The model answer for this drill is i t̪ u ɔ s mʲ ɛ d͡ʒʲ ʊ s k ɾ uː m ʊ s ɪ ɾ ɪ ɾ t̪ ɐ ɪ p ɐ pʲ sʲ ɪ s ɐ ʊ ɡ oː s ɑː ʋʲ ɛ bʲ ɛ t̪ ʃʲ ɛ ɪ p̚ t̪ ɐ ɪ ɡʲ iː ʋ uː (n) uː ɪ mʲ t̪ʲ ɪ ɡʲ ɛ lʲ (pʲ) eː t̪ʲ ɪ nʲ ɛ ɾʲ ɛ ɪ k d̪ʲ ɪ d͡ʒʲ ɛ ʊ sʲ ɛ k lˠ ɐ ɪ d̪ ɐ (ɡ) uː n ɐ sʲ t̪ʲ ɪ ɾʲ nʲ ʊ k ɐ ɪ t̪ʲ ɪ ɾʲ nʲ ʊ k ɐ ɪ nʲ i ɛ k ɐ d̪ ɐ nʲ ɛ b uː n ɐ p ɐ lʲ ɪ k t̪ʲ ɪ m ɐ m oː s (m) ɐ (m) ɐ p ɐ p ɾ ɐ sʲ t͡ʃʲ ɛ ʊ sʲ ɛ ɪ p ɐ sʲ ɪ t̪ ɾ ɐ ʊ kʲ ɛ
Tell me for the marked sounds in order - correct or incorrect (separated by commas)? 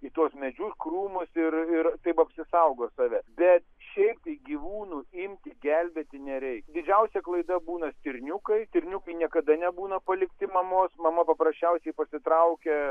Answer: correct, incorrect, incorrect, correct, correct